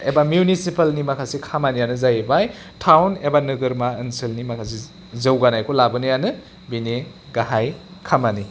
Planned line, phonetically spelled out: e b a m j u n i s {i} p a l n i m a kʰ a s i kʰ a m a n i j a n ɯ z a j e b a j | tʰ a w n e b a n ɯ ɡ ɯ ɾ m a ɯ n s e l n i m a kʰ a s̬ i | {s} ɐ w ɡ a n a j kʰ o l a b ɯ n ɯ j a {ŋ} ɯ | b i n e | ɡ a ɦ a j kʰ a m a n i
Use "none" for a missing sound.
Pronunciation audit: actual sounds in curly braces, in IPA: i, z, n

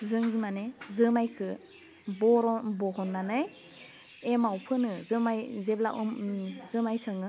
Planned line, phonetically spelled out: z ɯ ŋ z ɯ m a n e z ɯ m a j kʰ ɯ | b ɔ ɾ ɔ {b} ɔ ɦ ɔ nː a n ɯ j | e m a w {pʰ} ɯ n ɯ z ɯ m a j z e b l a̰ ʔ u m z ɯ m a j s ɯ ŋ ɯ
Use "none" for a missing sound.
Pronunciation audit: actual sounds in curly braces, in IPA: b, pʰ

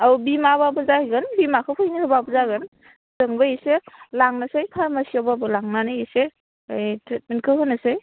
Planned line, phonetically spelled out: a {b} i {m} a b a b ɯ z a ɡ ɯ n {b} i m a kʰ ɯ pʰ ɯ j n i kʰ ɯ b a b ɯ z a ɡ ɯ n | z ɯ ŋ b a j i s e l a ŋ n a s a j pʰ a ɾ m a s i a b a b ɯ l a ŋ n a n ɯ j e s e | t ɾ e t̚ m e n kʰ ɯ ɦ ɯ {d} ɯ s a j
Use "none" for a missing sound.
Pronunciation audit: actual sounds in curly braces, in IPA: b, m, b, n

